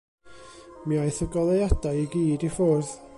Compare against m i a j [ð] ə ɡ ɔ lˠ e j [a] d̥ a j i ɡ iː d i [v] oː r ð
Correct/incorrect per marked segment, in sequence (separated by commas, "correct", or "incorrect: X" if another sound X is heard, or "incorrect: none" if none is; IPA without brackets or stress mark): incorrect: θ, correct, incorrect: f